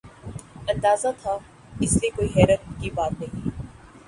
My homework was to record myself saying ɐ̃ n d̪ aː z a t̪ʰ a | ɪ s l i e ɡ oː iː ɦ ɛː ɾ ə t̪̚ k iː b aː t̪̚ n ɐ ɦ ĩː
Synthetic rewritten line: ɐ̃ n d̪ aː z a t̪ʰ a | ɪ s l i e k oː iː ɦ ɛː ɾ ə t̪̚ k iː b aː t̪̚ n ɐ ɦ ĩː